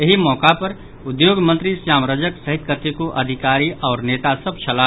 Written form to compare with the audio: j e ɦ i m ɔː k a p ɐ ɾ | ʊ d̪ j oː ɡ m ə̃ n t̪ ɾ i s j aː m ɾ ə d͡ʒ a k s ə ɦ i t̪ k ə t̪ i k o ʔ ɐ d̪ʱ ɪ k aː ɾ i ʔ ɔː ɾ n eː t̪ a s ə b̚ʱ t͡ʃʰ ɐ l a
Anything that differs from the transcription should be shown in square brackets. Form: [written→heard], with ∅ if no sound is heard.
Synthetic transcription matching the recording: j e ɦ i m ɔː k a p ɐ ɾ | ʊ d̪ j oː ɡ m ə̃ n t̪ ɾ i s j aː m ɾ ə d͡ʒ [a→ə] k s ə ɦ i t̪ k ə t̪ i k o ʔ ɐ d̪ʱ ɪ k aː ɾ i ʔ ɔː ɾ n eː t̪ a s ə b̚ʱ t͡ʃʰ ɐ l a